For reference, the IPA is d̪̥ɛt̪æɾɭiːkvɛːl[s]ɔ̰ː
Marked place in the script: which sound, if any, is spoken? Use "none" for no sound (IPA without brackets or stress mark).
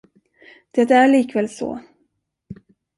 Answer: s